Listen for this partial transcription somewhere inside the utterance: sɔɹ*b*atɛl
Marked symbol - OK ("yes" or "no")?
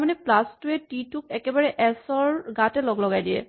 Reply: no